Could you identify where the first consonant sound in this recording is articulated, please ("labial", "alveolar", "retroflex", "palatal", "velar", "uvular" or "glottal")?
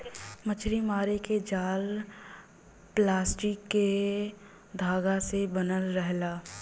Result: labial